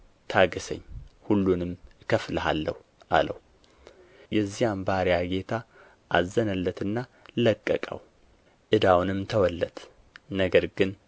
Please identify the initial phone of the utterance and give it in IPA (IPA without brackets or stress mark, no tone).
t̪ʰ